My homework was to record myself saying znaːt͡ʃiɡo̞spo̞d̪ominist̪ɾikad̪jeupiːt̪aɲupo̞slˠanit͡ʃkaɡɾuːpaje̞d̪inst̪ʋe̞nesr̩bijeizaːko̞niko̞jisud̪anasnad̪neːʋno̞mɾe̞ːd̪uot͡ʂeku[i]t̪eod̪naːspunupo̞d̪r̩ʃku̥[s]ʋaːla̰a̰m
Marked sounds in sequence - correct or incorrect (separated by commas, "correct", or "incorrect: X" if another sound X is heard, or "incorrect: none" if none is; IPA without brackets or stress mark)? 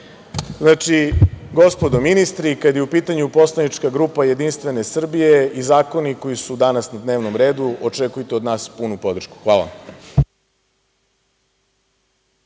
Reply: incorrect: j, incorrect: x